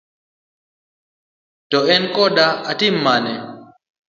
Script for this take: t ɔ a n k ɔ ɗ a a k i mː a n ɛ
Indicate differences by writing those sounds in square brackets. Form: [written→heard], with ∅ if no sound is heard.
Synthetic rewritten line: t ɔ [a→ɛ] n k ɔ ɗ a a [k→t] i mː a n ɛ

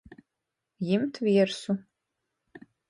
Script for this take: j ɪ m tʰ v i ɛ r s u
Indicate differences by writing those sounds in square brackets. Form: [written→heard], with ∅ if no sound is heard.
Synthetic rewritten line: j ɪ m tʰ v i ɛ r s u

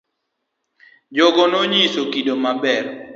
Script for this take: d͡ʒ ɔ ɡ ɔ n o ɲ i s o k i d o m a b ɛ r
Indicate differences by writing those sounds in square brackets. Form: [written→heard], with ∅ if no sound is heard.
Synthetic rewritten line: d͡ʒ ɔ ɡ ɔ n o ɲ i s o k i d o m a b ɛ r

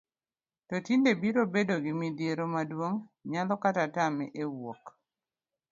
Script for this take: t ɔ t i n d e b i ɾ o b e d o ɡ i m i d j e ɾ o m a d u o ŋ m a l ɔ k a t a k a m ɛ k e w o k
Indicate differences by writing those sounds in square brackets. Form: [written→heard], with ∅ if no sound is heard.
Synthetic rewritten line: t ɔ t i n d e b i ɾ o b e d o ɡ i m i d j e ɾ o m a d [u→w] o ŋ [m→ɲ] a l ɔ k a t a [k→t] a m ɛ [k→ʔ] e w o k

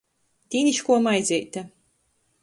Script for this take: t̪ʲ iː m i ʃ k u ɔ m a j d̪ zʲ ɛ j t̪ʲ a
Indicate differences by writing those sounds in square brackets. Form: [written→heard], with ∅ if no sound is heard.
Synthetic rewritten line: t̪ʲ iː [m→n] i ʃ k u ɔ m a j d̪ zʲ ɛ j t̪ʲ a

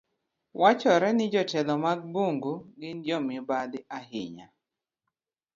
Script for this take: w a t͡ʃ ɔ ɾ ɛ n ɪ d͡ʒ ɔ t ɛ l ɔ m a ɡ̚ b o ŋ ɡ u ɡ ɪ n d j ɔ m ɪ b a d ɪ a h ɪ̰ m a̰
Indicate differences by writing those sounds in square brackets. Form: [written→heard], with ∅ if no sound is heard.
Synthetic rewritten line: w a t͡ʃ ɔ ɾ ɛ n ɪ d͡ʒ ɔ t ɛ l ɔ m a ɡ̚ b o ŋ ɡ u ɡ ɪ n d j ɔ m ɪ b a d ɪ a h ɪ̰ [m→ɲ] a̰

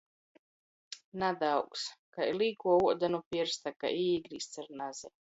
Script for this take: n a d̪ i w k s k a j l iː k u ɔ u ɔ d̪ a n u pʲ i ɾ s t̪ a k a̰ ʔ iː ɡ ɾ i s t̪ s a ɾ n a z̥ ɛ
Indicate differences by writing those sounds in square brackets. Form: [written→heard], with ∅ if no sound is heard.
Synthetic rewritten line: n a d̪ [i→a] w k s k a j l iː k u ɔ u ɔ d̪ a n u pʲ i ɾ s t̪ a k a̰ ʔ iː ɡ ɾ i s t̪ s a ɾ n a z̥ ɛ

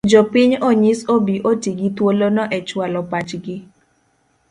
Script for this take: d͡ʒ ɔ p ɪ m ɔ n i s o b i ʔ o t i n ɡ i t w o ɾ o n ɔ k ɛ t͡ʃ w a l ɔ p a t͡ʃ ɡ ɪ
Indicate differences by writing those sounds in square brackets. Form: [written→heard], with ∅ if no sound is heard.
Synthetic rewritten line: d͡ʒ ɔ p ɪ [m→ɲ] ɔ [n→ɲ] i s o b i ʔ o t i [n→∅] ɡ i t w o [ɾ→l] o n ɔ [k→ʔ] ɛ t͡ʃ w a l ɔ p a t͡ʃ ɡ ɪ

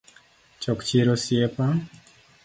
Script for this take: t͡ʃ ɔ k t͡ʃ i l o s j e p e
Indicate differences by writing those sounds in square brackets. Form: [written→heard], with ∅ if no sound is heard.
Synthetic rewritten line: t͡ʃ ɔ k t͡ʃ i [l→ɾ] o s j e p [e→a]

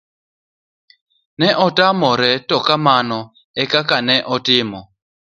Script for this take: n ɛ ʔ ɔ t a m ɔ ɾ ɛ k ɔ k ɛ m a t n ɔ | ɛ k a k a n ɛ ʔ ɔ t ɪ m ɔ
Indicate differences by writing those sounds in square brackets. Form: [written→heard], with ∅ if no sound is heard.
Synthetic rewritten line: n ɛ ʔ ɔ t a m ɔ ɾ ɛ [k→t] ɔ k [ɛ→a] m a [t→∅] n ɔ | ɛ k a k a n ɛ ʔ ɔ t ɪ m ɔ

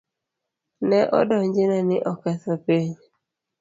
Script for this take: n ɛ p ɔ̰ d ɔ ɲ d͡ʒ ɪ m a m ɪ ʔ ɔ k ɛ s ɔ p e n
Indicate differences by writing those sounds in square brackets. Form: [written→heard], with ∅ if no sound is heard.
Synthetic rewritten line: n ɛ [p→ʔ] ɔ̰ d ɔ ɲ d͡ʒ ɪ [m→n] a [m→n] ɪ ʔ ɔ k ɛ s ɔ p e [n→ɲ]

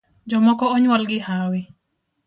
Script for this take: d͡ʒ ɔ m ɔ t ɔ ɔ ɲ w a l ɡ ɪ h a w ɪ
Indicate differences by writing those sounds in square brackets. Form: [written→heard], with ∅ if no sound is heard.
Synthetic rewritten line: d͡ʒ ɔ m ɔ [t→k] ɔ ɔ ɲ w a l ɡ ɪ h a w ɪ

